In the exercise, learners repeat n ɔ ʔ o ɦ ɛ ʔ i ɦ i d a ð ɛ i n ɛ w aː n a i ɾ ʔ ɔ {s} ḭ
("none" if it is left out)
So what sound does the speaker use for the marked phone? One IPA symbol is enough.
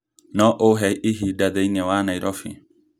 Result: f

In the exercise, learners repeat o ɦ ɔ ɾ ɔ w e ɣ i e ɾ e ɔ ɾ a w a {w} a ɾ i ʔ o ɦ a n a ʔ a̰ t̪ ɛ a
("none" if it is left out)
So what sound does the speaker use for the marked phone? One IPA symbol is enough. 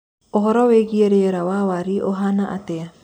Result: w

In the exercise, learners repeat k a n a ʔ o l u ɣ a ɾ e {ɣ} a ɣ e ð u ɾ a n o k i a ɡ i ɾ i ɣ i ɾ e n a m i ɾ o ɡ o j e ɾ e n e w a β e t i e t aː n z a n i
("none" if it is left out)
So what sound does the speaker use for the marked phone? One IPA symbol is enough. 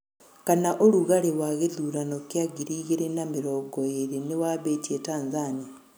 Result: w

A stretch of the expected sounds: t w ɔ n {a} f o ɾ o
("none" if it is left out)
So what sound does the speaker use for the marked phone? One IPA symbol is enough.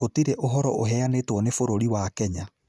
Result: e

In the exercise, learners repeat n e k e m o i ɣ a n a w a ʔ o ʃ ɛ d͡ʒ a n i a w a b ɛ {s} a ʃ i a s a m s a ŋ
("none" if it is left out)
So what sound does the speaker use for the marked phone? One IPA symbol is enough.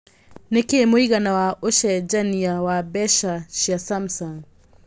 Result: ʃ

